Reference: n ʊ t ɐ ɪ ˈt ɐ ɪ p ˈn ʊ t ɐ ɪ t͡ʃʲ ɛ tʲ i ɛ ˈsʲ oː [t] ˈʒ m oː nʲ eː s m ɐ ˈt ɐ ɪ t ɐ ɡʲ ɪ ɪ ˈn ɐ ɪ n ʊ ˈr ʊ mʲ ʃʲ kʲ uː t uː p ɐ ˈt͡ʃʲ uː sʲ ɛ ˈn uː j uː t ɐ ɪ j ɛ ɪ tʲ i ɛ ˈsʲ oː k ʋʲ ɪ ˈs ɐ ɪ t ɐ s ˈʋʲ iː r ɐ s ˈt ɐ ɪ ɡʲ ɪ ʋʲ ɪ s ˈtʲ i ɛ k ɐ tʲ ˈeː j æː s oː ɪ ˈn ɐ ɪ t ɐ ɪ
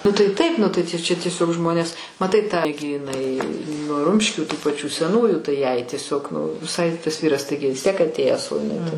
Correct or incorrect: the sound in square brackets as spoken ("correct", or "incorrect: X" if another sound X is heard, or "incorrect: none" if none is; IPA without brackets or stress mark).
incorrect: k